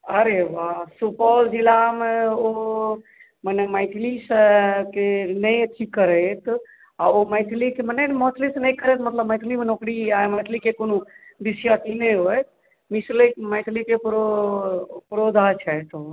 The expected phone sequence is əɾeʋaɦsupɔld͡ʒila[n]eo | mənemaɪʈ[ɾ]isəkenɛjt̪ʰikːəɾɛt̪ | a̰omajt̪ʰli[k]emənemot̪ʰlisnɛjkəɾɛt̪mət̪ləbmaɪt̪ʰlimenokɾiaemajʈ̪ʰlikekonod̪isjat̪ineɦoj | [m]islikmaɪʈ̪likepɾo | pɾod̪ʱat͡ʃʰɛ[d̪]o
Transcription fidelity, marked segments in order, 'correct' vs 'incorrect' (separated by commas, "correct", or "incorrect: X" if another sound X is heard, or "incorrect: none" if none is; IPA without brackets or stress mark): incorrect: m, incorrect: l, correct, correct, incorrect: t̪